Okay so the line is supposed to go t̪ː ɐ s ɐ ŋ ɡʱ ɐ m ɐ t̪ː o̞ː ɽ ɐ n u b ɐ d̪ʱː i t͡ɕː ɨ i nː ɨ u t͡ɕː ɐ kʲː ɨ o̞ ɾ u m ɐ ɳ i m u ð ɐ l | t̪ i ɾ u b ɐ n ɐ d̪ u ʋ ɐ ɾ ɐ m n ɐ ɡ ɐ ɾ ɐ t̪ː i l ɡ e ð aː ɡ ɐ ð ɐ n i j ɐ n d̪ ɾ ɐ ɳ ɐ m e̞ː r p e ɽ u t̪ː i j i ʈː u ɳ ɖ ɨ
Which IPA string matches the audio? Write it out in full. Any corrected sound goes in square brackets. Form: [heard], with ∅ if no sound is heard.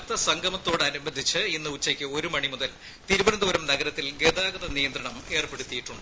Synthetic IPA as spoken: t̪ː ɐ s ɐ ŋ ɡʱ ɐ m ɐ t̪ː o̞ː ɽ ɐ n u b ɐ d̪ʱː i t͡ɕː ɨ i nː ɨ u t͡ɕː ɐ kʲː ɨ o̞ ɾ u m ɐ ɳ i m u ð ɐ l | t̪ i ɾ u b ɐ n ɐ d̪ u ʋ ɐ ɾ ɐ m n ɐ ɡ ɐ ɾ ɐ t̪ː i l ɡ e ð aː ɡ ɐ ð ɐ n i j ɐ n d̪ ɾ ɐ ɳ ɐ m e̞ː r p e ɽ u t̪ː i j i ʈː u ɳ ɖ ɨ

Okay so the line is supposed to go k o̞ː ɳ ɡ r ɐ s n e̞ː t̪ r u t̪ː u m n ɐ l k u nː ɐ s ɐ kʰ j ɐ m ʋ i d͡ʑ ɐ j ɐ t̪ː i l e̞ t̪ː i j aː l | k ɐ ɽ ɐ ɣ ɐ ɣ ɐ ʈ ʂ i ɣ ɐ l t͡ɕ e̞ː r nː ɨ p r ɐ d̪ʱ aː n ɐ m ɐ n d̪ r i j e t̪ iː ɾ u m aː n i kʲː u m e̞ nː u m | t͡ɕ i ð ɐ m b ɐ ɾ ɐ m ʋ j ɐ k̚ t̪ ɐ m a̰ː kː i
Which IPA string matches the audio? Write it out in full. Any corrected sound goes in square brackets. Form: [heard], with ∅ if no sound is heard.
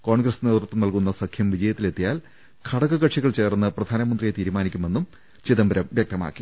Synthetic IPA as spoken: k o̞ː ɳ ɡ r ɐ s n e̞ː t̪ r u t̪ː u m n ɐ l k u nː ɐ s ɐ kʰ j ɐ m ʋ i d͡ʑ ɐ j ɐ t̪ː i l e̞ t̪ː i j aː l | [kʰ] ɐ ɽ ɐ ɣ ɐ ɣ ɐ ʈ ʂ i ɣ ɐ [ɭ] t͡ɕ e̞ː r nː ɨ p r ɐ d̪ʱ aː n ɐ m ɐ n d̪ r i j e t̪ iː ɾ u m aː n i kʲː u m e̞ nː u m | t͡ɕ i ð ɐ m b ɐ ɾ ɐ m ʋ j ɐ k̚ t̪ ɐ m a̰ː kː i

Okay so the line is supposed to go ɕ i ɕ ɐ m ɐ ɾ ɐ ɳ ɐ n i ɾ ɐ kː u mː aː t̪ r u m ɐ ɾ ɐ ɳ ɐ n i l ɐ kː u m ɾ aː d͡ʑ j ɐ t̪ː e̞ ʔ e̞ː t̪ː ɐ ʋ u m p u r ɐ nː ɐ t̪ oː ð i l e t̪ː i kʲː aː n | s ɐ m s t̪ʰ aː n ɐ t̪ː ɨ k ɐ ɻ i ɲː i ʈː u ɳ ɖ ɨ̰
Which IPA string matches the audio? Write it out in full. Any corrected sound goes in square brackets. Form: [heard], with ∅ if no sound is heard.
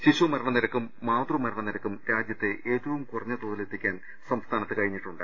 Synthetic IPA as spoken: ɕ i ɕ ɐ m ɐ ɾ ɐ ɳ ɐ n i ɾ ɐ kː u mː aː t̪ r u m ɐ ɾ ɐ ɳ ɐ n i [ɾ] ɐ kː u m ɾ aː d͡ʑ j ɐ t̪ː e̞ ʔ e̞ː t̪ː ɐ ʋ u m [k] u r ɐ [ɲː] ɐ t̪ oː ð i l e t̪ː i kʲː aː n | s ɐ m s t̪ʰ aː n ɐ t̪ː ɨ k ɐ ɻ i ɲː i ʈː u ɳ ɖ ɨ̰

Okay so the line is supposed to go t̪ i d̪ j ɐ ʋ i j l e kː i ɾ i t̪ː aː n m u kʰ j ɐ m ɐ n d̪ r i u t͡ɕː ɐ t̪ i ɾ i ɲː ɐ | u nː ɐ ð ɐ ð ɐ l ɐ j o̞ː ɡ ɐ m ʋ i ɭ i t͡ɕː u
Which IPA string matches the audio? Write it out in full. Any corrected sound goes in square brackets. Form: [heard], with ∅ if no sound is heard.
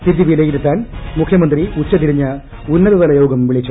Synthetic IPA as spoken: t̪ i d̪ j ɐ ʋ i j l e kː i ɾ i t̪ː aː n m u kʰ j ɐ m ɐ n d̪ r i u t͡ɕː ɐ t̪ i ɾ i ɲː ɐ | u nː ɐ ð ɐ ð ɐ l ɐ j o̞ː ɡ ɐ m ʋ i ɭ i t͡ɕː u

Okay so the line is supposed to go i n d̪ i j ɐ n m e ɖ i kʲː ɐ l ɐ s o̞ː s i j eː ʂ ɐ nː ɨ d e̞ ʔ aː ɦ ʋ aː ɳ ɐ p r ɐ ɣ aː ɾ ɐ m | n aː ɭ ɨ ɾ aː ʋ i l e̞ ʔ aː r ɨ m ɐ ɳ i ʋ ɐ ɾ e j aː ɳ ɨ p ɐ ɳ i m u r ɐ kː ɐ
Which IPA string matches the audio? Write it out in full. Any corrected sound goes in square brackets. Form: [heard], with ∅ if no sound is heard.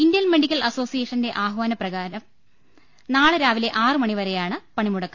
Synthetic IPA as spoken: i n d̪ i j ɐ n m e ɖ i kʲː ɐ l ɐ s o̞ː s i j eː ʂ ɐ [n] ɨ d e̞ ʔ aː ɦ ʋ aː [n] ɐ p r ɐ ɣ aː ɾ ɐ m | n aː ɭ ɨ ɾ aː ʋ i l e̞ ʔ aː r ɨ m ɐ ɳ i ʋ ɐ ɾ e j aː ɳ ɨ p ɐ ɳ i m u [ɽ] ɐ kː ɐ

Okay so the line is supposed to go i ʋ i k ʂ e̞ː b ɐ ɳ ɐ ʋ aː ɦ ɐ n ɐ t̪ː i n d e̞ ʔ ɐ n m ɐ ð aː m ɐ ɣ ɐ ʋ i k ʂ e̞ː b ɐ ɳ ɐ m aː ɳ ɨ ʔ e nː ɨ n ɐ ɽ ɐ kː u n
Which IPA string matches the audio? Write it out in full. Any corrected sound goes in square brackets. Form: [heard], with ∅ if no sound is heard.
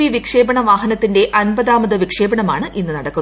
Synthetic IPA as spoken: i ʋ i k ʂ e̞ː b ɐ ɳ ɐ ʋ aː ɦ ɐ n ɐ t̪ː i n d e̞ ʔ ɐ n [b] ɐ ð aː m ɐ [ð] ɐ ʋ i k ʂ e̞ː b ɐ ɳ ɐ m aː ɳ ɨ ʔ [i] nː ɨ n ɐ ɽ ɐ kː u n

